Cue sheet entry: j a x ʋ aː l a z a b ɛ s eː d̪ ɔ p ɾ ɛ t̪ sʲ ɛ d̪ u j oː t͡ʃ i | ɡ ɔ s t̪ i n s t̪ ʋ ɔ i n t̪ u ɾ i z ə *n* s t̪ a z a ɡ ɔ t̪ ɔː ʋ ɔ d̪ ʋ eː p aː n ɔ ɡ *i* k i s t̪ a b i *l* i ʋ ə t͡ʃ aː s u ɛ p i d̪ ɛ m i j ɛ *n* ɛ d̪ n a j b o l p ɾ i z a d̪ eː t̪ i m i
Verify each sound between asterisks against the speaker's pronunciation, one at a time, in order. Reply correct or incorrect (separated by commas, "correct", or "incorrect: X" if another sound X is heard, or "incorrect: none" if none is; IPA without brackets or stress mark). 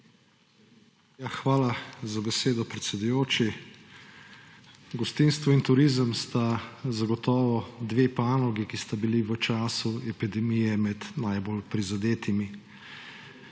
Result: incorrect: m, correct, correct, incorrect: m